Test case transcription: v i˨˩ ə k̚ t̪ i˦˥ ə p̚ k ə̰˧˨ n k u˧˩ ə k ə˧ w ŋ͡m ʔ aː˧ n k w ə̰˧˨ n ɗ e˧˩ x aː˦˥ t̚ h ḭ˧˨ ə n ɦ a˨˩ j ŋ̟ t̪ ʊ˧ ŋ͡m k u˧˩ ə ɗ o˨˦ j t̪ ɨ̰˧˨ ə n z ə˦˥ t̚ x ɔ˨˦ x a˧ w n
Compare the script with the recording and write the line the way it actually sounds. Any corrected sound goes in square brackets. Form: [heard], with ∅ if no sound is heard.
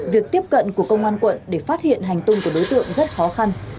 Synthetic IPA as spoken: v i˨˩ ə k̚ t̪ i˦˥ ə p̚ k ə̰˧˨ n k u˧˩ ə k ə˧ w ŋ͡m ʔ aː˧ n k w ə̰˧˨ n ɗ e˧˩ [f] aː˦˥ t̚ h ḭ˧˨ ə n ɦ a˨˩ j ŋ̟ t̪ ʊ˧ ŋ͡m k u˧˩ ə ɗ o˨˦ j t̪ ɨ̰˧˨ ə [ŋ] z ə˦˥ t̚ x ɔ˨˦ x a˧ [∅] n

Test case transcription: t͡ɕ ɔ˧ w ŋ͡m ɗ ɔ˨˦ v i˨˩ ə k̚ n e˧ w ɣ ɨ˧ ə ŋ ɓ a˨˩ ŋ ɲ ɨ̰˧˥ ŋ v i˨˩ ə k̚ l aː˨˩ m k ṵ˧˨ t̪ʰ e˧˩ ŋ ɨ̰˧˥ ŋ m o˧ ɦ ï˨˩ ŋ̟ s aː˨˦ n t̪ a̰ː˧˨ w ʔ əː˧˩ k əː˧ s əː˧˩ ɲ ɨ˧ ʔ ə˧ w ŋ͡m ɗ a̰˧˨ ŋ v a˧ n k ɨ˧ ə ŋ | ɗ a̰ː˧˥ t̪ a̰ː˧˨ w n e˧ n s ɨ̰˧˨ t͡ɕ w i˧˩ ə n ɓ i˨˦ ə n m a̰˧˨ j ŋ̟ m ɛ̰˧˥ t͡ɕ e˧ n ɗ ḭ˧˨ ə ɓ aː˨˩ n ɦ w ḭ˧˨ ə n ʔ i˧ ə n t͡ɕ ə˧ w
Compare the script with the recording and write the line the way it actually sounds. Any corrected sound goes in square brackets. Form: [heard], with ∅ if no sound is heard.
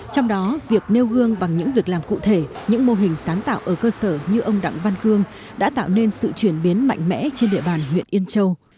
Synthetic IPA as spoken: t͡ɕ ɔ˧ w ŋ͡m ɗ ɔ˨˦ v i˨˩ ə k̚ n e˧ w ɣ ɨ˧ ə ŋ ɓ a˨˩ ŋ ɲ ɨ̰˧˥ ŋ v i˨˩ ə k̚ l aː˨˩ m k ṵ˧˨ t̪ʰ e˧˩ [ɲ] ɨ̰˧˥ ŋ m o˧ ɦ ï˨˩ ŋ̟ s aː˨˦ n t̪ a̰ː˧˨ w ʔ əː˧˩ k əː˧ s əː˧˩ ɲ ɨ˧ ʔ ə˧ w ŋ͡m ɗ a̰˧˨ ŋ v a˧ n k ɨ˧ ə ŋ | ɗ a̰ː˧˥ t̪ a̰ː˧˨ w n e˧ n s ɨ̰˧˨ t͡ɕ w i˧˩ ə n ɓ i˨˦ ə n m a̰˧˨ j ŋ̟ m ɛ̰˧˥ t͡ɕ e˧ n ɗ ḭ˧˨ ə ɓ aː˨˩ n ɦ w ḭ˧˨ ə n ʔ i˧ ə n t͡ɕ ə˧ w

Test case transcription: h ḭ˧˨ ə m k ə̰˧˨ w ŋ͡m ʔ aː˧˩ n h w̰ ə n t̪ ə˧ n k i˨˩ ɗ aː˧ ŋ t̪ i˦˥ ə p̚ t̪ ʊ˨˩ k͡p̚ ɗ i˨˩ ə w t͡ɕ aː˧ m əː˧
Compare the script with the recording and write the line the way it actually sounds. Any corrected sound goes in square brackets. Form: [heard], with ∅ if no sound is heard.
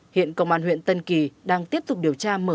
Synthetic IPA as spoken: h ḭ˧˨ ə [n] k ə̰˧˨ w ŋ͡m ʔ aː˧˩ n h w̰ ə n t̪ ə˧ n k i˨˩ ɗ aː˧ ŋ t̪ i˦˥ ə p̚ t̪ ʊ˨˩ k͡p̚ ɗ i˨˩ ə w t͡ɕ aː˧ m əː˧

